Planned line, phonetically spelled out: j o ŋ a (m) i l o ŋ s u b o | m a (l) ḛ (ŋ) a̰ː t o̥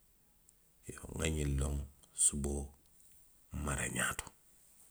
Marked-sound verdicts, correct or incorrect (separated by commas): incorrect, incorrect, incorrect